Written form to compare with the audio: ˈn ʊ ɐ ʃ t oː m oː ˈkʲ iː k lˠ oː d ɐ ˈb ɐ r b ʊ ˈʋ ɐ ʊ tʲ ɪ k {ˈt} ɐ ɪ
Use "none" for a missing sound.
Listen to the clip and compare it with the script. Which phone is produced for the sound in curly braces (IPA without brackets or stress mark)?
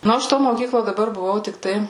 t